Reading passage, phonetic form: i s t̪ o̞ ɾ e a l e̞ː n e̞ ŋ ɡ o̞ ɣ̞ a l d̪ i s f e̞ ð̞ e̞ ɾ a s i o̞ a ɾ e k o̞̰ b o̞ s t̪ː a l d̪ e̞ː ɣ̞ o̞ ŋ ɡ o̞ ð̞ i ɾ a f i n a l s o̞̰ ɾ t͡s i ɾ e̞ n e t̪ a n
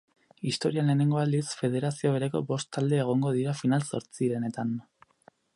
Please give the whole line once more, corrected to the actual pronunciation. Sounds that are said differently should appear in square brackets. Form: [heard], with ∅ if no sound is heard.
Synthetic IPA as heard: i s t̪ o̞ ɾ [i] a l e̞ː n e̞ ŋ ɡ o̞ [∅] a l d̪ i s f e̞ ð̞ e̞ ɾ a s i o̞ [e] ɾ e k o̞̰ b o̞ s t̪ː a l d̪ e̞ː ɣ̞ o̞ ŋ ɡ o̞ ð̞ i ɾ a f i n a l s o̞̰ ɾ t͡s i ɾ e̞ n e t̪ a n